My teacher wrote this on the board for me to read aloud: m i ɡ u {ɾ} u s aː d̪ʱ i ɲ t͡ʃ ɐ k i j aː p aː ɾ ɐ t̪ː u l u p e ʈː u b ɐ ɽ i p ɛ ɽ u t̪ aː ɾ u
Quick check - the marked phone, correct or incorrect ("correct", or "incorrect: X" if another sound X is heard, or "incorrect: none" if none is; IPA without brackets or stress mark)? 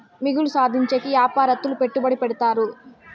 incorrect: l